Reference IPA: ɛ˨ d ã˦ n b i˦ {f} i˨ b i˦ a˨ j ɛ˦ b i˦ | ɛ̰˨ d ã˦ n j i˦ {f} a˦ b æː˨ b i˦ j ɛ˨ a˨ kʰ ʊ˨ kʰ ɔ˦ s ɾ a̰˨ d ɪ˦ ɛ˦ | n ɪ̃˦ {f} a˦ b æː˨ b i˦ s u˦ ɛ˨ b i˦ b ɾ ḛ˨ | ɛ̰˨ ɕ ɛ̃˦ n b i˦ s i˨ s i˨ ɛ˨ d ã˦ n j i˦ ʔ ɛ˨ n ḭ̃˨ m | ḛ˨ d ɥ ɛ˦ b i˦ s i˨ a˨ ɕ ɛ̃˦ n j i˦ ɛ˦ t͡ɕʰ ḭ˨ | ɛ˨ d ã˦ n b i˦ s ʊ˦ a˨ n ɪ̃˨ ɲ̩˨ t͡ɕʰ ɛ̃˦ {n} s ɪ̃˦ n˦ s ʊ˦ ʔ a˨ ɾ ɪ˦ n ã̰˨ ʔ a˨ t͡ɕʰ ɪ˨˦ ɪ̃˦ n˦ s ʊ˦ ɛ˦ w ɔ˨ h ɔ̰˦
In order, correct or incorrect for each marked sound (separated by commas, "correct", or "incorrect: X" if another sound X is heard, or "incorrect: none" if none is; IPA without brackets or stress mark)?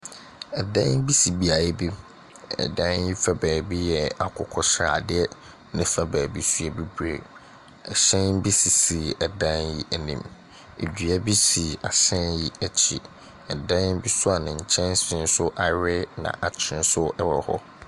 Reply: incorrect: s, correct, correct, correct